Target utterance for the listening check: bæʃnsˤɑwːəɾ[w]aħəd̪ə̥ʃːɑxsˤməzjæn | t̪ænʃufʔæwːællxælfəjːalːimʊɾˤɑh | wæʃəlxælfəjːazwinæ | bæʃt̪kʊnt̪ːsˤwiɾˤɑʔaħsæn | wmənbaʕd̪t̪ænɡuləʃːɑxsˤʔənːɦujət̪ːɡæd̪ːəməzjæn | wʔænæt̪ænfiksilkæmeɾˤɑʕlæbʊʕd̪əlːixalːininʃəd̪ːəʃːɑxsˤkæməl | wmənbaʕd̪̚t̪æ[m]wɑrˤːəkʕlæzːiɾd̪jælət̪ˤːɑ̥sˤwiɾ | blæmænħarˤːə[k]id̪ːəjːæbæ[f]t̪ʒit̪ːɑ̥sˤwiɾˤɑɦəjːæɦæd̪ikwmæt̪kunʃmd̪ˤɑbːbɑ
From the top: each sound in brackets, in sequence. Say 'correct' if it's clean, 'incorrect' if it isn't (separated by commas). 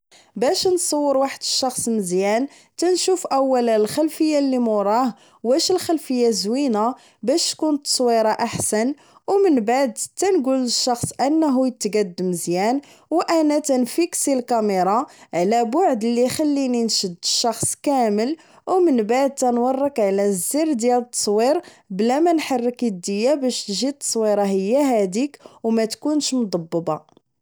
correct, incorrect, correct, incorrect